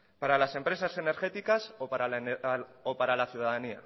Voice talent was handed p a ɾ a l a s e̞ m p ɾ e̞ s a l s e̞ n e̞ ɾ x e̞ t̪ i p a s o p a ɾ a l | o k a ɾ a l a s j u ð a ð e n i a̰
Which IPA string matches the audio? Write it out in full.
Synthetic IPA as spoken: p a ɾ a l a s e̞ m p ɾ e̞ s a s e̞ n e̞ ɾ x e̞ t̪ i k a s o p a ɾ a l | o p a ɾ a l a θ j u ð a ð a n i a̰